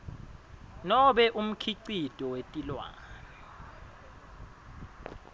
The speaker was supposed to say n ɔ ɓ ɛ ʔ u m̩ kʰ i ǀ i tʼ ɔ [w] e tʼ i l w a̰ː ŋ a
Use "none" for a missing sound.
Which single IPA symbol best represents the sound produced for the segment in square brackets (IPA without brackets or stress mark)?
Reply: w